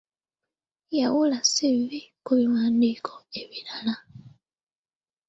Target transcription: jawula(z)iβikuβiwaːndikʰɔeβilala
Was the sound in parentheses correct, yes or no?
no